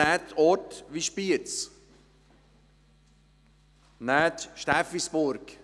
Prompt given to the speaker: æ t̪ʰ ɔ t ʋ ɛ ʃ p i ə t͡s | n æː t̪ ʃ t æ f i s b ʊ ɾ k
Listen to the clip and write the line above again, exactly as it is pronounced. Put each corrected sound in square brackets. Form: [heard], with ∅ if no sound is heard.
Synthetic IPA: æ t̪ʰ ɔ t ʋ [i] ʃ p i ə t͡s | n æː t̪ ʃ t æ f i s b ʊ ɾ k